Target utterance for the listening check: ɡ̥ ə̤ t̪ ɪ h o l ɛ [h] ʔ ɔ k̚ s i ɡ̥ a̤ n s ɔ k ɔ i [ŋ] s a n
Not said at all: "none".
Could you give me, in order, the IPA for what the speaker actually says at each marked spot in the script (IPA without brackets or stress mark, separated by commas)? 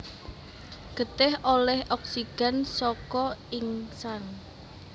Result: h, ŋ